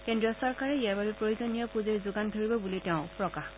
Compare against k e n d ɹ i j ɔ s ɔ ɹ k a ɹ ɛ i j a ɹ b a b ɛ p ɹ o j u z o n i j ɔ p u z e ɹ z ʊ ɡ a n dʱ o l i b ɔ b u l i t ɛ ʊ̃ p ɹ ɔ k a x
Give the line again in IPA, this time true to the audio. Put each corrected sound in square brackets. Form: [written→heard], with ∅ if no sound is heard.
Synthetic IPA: k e n d ɹ i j ɔ s ɔ ɹ k a ɹ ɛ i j a ɹ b a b ɛ p ɹ o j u z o n i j ɔ p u z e ɹ z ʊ ɡ a n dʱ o [l→ɹ] i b ɔ b u l i t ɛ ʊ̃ p ɹ ɔ k a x